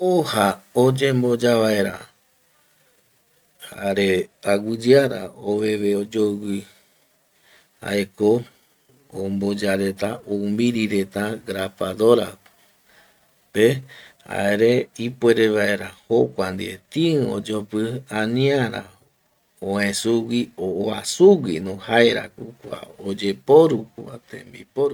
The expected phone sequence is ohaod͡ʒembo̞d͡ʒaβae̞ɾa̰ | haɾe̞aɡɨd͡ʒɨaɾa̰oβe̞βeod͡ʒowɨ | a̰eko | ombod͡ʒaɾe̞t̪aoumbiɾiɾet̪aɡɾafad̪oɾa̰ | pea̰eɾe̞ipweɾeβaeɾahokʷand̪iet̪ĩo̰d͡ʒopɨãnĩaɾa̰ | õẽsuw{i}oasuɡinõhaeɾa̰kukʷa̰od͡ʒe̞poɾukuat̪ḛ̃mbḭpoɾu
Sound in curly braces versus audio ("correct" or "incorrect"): correct